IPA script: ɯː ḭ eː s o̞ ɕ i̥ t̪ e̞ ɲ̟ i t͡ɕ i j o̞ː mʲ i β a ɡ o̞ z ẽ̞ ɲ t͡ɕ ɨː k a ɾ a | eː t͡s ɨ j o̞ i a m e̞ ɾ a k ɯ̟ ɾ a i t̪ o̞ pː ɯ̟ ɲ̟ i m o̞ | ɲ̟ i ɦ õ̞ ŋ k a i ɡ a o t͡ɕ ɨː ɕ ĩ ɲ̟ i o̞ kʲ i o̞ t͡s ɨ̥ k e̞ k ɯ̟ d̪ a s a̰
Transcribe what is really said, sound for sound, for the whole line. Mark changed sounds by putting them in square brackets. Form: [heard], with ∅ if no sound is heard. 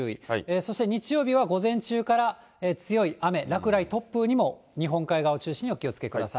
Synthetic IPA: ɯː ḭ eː s o̞ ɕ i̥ t̪ e̞ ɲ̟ i t͡ɕ i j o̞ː [bʲ] i β a ɡ o̞ z ẽ̞ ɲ t͡ɕ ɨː k a ɾ a | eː t͡s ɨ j o̞ i a m e̞ ɾ a k ɯ̟ ɾ a i t̪ o̞ pː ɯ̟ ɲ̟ i m o̞ | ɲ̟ i ɦ õ̞ ŋ k a i ɡ a o t͡ɕ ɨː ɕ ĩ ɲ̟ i o̞ kʲ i o̞ t͡s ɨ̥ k e̞ k ɯ̟ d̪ a s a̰